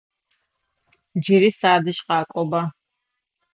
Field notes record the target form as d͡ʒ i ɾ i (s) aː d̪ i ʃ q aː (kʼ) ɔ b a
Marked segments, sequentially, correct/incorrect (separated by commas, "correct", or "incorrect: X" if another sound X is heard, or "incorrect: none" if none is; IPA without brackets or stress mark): correct, correct